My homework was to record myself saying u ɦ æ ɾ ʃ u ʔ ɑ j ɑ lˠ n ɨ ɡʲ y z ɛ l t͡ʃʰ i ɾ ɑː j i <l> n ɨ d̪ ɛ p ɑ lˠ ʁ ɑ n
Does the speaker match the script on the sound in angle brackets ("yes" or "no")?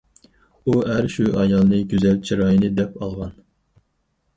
no